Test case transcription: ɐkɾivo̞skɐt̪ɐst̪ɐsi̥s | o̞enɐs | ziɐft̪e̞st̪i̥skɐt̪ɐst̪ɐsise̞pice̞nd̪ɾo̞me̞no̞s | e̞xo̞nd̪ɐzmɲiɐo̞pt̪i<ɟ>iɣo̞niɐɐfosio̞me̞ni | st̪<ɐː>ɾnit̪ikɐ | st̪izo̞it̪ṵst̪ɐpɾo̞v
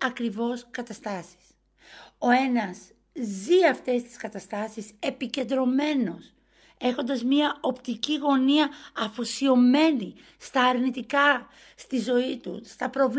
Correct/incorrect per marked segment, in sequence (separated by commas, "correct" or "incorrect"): incorrect, correct